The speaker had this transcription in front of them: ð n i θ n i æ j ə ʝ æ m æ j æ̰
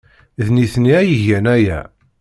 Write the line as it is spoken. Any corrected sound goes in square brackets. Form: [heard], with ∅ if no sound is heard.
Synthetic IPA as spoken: ð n i θ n i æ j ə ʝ æ [n] æ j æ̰